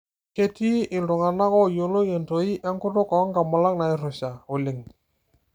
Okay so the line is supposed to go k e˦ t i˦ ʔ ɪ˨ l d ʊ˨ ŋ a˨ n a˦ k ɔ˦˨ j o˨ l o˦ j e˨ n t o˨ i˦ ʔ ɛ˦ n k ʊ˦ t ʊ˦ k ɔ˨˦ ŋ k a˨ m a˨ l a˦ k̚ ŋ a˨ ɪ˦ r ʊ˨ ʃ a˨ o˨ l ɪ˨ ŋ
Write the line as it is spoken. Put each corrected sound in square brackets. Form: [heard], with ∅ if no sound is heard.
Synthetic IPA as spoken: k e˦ t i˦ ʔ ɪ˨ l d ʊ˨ ŋ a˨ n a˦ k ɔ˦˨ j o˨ l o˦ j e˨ n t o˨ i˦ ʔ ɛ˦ [ŋ] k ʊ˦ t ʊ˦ k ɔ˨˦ ŋ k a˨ m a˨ l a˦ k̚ [n] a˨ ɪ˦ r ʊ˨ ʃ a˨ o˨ l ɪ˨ ŋ